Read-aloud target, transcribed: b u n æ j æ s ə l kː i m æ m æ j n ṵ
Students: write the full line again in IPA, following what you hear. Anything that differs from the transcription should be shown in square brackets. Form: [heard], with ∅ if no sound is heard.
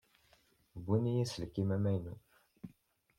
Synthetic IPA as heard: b u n [i] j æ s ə l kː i m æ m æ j n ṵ